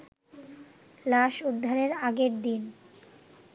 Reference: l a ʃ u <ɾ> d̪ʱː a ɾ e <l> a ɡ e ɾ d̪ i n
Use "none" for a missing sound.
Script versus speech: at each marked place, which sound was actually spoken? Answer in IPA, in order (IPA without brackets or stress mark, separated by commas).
none, ɾ